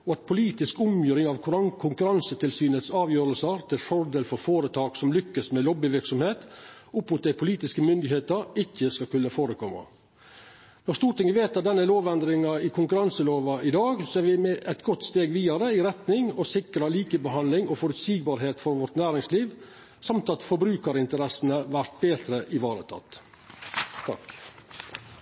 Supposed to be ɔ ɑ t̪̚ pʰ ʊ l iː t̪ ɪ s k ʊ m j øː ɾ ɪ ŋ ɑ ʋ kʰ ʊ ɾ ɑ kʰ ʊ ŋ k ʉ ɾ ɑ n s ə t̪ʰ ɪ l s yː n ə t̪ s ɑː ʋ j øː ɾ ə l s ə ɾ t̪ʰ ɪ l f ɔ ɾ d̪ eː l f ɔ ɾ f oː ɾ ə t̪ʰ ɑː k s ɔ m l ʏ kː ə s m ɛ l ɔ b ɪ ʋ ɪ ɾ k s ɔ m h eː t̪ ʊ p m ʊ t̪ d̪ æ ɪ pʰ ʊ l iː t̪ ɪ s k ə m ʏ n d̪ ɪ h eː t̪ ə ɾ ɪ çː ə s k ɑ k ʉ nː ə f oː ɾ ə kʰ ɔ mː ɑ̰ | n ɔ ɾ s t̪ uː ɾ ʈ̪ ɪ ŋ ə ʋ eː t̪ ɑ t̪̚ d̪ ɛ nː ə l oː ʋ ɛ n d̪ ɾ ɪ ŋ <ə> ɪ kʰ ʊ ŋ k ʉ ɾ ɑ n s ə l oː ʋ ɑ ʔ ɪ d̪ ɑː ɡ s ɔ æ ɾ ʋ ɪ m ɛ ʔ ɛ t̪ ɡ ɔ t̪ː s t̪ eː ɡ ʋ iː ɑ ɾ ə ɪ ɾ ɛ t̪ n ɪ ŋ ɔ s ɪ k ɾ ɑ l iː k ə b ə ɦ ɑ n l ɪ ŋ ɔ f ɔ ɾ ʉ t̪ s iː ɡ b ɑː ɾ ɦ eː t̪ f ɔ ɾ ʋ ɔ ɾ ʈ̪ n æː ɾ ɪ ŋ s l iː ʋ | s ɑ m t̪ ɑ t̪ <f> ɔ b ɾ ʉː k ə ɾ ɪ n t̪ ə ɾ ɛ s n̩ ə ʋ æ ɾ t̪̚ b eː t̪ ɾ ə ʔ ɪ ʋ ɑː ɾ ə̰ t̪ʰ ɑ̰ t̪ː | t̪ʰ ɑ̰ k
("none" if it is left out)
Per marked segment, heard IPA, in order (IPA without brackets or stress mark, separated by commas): ɑ, f